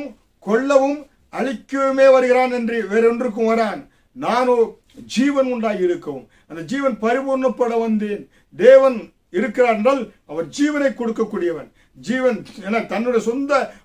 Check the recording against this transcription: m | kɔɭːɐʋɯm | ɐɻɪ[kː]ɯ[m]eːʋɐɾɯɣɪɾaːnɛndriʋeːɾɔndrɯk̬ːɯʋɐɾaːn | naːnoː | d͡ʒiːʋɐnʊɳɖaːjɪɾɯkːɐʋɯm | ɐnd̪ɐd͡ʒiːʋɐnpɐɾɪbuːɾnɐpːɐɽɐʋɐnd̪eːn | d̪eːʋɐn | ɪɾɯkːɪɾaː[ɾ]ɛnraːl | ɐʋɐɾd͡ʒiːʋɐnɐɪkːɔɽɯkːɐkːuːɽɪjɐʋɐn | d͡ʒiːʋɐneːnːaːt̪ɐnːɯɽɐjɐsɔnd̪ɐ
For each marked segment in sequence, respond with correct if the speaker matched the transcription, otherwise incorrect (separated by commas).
correct, correct, correct